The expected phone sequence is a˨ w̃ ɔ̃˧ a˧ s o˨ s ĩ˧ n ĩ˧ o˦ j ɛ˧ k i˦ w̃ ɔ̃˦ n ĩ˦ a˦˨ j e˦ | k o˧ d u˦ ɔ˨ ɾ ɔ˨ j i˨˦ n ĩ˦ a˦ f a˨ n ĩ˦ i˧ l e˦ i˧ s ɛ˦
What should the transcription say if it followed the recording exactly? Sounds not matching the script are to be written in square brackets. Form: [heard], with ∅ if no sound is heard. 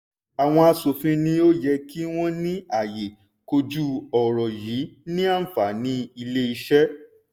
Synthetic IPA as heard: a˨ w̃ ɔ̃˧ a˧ s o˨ [f] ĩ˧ n ĩ˧ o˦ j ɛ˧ k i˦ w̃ ɔ̃˦ n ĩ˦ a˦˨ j [e˨] | k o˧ [d͡ʒ] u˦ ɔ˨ ɾ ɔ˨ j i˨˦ n ĩ˦ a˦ f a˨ n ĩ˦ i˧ l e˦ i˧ [ʃ] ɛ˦